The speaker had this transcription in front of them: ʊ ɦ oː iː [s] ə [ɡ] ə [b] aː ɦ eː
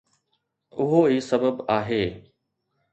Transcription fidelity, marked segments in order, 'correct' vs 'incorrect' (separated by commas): correct, incorrect, correct